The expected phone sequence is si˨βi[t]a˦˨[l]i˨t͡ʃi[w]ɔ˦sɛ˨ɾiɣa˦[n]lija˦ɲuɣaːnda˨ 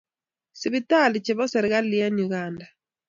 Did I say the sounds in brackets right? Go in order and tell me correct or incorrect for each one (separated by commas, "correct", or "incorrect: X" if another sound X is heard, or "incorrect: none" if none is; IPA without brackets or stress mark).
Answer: correct, correct, incorrect: β, incorrect: none